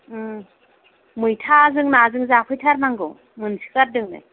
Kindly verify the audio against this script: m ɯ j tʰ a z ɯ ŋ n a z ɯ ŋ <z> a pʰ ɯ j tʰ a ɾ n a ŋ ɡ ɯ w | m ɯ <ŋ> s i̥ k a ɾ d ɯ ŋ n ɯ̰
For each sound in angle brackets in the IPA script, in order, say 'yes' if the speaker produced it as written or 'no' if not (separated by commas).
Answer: yes, no